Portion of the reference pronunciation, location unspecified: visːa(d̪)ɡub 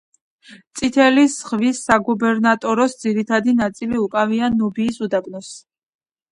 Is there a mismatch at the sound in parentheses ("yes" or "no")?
yes